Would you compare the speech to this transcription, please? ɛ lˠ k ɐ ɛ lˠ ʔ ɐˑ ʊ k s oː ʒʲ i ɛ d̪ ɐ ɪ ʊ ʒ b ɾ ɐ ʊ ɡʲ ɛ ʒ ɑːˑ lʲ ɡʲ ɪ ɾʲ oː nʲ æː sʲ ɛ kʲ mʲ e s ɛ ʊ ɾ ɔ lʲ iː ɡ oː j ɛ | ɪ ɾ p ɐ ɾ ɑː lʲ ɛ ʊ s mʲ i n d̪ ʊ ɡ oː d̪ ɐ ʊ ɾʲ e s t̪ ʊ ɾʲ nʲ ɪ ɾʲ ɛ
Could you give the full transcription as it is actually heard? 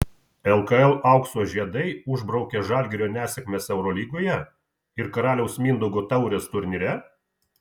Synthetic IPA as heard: ɛ lˠ k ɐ ɛ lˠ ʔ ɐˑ ʊ k s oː ʒʲ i ɛ d̪ ɐ ɪ ʊ ʒ b ɾ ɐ ʊ kʲ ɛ ʒ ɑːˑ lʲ ɡʲ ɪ ɾʲ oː nʲ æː sʲ ɛ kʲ mʲ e s ɛ ʊ ɾ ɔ lʲ iː ɡ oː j ɛ | ɪ ɾ k ɐ ɾ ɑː lʲ ɛ ʊ s mʲ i n d̪ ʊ ɡ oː t̪ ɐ ʊ ɾʲ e s t̪ ʊ ɾʲ nʲ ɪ ɾʲ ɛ

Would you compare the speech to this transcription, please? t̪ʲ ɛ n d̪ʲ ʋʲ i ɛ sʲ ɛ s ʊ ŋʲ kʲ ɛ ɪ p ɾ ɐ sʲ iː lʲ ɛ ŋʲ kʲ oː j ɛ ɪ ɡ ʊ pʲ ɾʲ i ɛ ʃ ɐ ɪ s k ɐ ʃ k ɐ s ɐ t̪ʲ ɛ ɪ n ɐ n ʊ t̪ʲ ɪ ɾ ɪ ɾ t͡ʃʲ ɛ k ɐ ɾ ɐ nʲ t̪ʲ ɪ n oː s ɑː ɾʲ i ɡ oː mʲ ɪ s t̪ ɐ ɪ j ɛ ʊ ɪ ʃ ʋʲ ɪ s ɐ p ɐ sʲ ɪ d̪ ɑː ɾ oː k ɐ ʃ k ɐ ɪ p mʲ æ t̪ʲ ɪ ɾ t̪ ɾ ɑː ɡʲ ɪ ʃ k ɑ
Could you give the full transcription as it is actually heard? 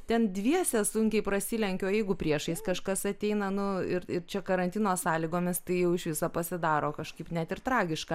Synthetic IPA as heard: t̪ʲ ɛ n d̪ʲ ʋʲ i ɛ sʲ ɛ s ʊ ŋʲ kʲ ɛ ɪ p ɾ ɐ sʲ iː lʲ ɛ ŋʲ kʲ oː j ɛ ɪ ɡ ʊ pʲ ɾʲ i ɛ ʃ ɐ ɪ s k ɐ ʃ k ɐ s ɐ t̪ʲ ɛ ɪ n ɐ n ʊ ɪ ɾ ɪ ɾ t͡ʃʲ ɛ k ɐ ɾ ɐ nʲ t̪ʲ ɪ n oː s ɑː lʲ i ɡ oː mʲ ɪ s t̪ ɐ ɪ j ɛ ʊ ɪ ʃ ʋʲ ɪ s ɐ p ɐ sʲ ɪ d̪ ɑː ɾ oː k ɐ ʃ k ɐ ɪ p nʲ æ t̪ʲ ɪ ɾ t̪ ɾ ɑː ɡʲ ɪ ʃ k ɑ

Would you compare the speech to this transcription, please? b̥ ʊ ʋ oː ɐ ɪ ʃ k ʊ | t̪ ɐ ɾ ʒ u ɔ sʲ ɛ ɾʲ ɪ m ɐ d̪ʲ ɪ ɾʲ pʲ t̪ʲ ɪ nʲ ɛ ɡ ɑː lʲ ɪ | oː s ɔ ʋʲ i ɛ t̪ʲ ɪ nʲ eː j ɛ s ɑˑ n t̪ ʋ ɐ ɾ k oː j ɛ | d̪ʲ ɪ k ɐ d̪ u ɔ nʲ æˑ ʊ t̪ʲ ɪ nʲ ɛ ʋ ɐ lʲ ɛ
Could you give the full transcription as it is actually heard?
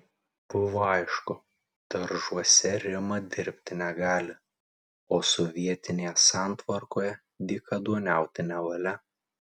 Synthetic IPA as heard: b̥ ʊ ʋ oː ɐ ɪ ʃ k ʊ | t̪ ɐ ɾ ʒ u ɔ sʲ ɛ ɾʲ ɪ m ɐ d̪ʲ ɪ ɾʲ pʲ t̪ʲ ɪ nʲ ɛ ɡ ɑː lʲ ɪ | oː s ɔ ʋʲ i ɛ t̪ʲ ɪ nʲ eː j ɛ s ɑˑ n t̪ ʋ ɐ ɾ k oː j ɛ | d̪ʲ ɪ k ɐ d̪ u ɔ nʲ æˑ ʊ t̪ʲ ɪ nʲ ɛ ʋ ɐ lʲ ɛ

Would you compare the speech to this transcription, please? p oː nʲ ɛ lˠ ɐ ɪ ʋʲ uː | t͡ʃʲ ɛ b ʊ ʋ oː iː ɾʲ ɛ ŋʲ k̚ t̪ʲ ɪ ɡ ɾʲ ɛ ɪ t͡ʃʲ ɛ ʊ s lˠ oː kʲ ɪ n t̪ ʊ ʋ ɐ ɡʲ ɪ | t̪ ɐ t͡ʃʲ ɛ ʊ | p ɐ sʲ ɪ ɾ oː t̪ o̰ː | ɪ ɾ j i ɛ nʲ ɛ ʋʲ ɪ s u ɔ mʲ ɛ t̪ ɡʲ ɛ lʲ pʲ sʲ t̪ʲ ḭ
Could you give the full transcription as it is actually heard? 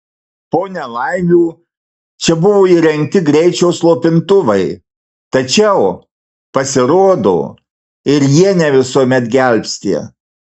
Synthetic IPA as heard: p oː nʲ ɛ lˠ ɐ ɪ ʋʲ uː | t͡ʃʲ ɛ b ʊ ʋ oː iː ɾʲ ɛ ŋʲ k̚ t̪ʲ ɪ ɡ ɾʲ ɛ ɪ t͡ʃʲ ɛ ʊ s lˠ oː pʲ ɪ n t̪ ʊ ʋ ɐ ɪ | t̪ ɐ t͡ʃʲ ɛ ʊ | p ɐ sʲ ɪ ɾ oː d̪ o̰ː | ɪ ɾ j i ɛ nʲ ɛ ʋʲ ɪ s u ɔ mʲ ɛ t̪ ɡʲ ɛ lʲ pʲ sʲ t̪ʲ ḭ

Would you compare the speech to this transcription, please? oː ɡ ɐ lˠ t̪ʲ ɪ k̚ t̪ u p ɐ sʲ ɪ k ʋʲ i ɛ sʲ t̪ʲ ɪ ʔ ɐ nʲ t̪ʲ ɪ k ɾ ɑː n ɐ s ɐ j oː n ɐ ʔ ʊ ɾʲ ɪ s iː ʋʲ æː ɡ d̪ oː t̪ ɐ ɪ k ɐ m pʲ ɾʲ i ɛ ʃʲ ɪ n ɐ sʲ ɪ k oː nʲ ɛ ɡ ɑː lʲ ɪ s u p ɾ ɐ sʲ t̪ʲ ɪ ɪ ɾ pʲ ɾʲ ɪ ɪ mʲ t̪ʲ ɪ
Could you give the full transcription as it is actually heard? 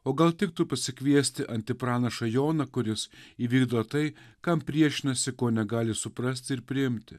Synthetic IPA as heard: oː ɡ ɐ lˠ t̪ʲ ɪ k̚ t̪ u p ɐ sʲ ɪ k ʋʲ i ɛ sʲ t̪ʲ ɪ ʔ ɐ nʲ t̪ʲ ɪ p ɾ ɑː n ɐ ʃ ɐ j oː n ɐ k ʊ ɾʲ ɪ s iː ʋʲ iː ɡ d̪ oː t̪ ɐ ɪ k ɐ m pʲ ɾʲ i ɛ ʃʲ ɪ n ɐ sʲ ɪ k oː nʲ ɛ ɡ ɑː lʲ ɪ s ʊ p ɾ ɐ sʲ t̪ʲ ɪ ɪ ɾ pʲ ɾʲ ɪ ɪ mʲ t̪ʲ ɪ

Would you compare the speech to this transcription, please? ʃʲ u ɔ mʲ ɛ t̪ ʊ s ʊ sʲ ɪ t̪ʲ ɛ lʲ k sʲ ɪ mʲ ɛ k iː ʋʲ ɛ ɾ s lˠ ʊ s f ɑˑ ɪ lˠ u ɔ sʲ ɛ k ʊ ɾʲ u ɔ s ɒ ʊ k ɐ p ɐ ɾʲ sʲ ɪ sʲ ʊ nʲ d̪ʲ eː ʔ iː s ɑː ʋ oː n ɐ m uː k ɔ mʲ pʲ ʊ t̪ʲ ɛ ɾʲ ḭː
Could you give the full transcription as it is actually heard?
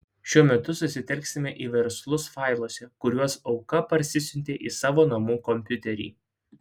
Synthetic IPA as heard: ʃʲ u ɔ mʲ ɛ t̪ ʊ s ʊ sʲ ɪ t̪ʲ ɛ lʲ k sʲ ɪ mʲ ɛ ʔ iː ʋʲ ɛ ɾ s lˠ ʊ s f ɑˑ ɪ lˠ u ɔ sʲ ɛ k ʊ ɾʲ u ɔ s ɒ ʊ k ɐ p ɐ ɾʲ sʲ ɪ sʲ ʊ nʲ t̪ʲ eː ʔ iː s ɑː ʋ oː n ɐ m uː k ɔ mʲ pʲ ʊ t̪ʲ ɛ ɾʲ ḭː

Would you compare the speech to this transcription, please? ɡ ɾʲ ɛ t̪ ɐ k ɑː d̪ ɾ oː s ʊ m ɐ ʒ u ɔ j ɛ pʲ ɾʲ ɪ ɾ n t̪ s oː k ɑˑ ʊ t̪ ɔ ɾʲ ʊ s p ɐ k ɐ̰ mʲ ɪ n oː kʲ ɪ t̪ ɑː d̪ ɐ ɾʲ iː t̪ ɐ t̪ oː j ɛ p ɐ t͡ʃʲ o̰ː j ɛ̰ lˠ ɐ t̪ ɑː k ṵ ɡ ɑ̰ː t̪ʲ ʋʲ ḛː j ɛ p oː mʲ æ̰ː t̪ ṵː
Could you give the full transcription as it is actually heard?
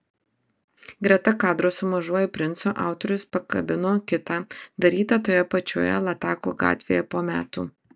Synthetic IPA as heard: ɡ ɾʲ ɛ t̪ ɐ k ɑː d̪ ɾ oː s ʊ m ɐ ʒ u ɔ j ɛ pʲ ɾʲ ɪ n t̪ s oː ʔ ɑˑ ʊ t̪ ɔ ɾʲ ʊ s p ɐ k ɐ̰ bʲ ɪ n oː kʲ ɪ t̪ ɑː d̪ ɐ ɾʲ iː t̪ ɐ t̪ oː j ɛ p ɐ t͡ʃʲ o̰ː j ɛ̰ lˠ ɐ t̪ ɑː k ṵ ɡ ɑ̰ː t̪ʲ ʋʲ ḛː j ɛ p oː mʲ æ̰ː t̪ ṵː

